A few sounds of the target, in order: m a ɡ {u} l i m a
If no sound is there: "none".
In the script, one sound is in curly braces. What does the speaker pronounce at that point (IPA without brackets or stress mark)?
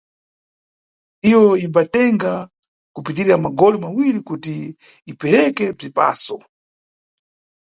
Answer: ɔ